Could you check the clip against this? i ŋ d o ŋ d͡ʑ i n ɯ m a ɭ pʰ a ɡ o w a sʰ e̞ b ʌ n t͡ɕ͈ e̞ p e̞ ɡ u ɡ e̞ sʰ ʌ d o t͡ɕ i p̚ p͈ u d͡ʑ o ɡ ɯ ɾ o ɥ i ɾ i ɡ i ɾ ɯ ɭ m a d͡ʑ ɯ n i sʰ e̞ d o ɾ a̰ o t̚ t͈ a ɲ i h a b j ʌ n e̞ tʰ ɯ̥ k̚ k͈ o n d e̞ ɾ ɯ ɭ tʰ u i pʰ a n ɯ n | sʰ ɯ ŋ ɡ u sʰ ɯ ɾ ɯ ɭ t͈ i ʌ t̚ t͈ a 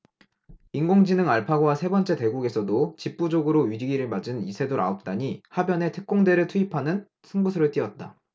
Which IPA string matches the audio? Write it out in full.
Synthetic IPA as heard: i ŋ ɡ o ŋ d͡ʑ i n ɯ ŋ a ɭ pʰ a ɡ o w a sʰ e̞ b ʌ n t͡ɕ͈ e̞ t e̞ ɡ u ɡ e̞ sʰ ʌ d o t͡ɕ i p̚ p͈ u d͡ʑ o ɡ ɯ ɾ o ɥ i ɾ i ɡ i ɾ ɯ ɭ m a d͡ʑ ɯ n i sʰ e̞ d o ɾ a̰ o p̚ t͈ a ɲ i h a b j ʌ n e̞ tʰ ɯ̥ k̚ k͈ o ŋ d e̞ ɾ ɯ ɭ tʰ u i pʰ a n ɯ n | sʰ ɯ ŋ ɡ u sʰ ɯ ɾ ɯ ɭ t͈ i ʌ t̚ t͈ a